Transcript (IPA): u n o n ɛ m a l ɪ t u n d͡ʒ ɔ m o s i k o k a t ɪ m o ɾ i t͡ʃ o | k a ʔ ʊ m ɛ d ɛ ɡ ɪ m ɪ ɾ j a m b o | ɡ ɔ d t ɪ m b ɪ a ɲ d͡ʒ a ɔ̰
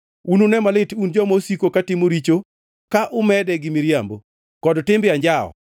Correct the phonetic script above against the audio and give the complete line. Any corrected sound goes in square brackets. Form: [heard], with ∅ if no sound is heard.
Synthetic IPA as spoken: u n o n ɛ m a l ɪ t u n d͡ʒ ɔ m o s i k o k a t ɪ m o ɾ i t͡ʃ o | k a ʔ ʊ m ɛ d ɛ ɡ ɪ m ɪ ɾ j a m b o | [k] ɔ d t ɪ m b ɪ a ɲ d͡ʒ a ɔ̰